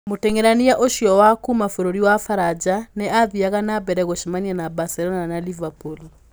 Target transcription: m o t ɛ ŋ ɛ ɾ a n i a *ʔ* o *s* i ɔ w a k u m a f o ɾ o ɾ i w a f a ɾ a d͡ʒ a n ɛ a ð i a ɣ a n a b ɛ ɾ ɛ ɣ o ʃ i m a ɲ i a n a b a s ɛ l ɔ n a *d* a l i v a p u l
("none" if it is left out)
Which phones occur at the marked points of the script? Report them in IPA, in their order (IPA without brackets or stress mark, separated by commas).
ʔ, ʃ, n